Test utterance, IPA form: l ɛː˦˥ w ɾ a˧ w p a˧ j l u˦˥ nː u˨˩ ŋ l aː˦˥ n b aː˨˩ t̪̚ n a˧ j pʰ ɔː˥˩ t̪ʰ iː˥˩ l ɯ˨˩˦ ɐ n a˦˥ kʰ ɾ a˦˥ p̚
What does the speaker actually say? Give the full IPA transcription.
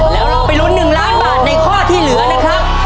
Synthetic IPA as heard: l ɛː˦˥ w ɾ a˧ w p a˧ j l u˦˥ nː ɯ˨˩ ŋ l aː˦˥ n b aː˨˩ t̪̚ n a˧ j kʰ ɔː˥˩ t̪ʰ iː˥˩ l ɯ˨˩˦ ɐ n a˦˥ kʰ ɾ a˦˥ p̚